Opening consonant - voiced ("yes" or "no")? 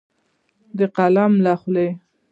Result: yes